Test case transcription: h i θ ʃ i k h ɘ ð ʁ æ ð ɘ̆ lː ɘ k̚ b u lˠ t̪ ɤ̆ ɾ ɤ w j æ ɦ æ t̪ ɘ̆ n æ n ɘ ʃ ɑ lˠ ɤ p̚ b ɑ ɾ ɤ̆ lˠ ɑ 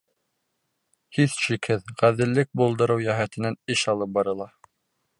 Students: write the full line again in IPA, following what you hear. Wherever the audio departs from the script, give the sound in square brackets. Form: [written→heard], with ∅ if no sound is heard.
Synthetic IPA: h i θ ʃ i k h ɘ ð ʁ æ ð ɘ̆ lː ɘ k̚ b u lˠ [t̪→d̪] ɤ̆ ɾ ɤ w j æ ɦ æ t̪ ɘ̆ n æ n ɘ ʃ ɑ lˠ ɤ p̚ b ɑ ɾ ɤ̆ lˠ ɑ